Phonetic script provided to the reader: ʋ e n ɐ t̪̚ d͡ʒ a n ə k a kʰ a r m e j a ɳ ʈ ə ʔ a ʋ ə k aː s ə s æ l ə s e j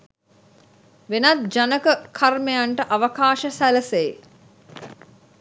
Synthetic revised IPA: ʋ e n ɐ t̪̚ d͡ʒ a n ə k ə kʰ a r m e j a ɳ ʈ ə ʔ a ʋ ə k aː ʃ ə s æ l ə s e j